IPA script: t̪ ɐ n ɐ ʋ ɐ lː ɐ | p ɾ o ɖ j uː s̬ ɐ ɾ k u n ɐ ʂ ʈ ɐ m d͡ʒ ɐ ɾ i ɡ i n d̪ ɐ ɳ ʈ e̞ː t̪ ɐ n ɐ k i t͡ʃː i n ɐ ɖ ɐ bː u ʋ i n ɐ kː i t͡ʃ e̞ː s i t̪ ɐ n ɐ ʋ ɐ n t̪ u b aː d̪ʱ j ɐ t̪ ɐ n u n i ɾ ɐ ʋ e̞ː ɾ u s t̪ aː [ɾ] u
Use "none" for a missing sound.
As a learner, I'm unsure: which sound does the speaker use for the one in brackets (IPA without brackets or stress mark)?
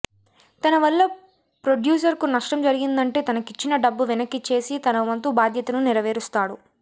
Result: ɽ